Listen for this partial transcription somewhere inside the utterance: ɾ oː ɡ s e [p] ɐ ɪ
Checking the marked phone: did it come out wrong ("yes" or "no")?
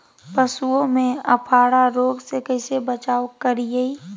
yes